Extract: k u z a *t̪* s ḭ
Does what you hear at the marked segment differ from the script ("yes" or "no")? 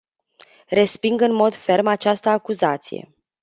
no